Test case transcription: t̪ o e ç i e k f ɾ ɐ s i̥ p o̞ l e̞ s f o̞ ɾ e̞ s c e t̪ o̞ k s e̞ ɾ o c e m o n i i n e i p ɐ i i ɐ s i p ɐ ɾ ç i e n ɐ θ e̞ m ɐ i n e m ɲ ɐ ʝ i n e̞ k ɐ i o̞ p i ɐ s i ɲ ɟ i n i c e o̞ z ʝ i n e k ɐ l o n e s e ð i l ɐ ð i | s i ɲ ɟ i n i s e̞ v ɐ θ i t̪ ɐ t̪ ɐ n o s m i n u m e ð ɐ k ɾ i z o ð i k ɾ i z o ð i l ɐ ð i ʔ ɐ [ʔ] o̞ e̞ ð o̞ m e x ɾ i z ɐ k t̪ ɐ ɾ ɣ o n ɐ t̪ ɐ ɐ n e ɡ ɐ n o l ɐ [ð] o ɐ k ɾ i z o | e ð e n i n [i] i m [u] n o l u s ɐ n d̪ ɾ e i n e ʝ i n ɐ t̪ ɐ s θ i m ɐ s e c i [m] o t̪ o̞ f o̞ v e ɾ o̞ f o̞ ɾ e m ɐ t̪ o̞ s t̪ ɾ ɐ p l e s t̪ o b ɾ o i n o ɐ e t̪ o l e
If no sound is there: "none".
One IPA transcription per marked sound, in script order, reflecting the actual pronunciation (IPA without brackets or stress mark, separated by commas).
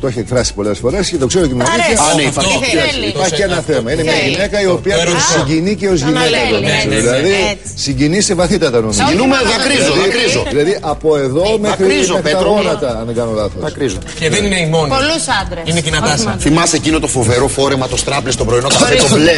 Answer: p, θ, e, o, n